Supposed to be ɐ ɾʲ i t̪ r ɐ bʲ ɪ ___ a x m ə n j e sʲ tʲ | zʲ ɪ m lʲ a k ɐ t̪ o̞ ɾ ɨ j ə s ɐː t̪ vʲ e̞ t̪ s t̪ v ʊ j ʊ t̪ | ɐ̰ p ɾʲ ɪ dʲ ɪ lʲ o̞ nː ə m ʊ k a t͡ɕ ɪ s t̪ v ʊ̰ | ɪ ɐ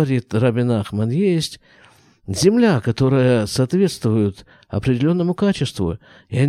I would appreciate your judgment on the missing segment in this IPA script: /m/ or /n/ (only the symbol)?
n